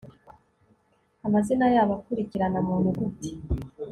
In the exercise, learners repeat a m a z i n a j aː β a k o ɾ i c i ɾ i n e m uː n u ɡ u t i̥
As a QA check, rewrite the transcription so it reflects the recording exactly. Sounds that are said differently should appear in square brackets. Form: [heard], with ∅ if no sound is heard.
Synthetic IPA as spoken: a m a z i n a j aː β a k [u] ɾ i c i ɾ [a] n [a] m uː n u ɡ u t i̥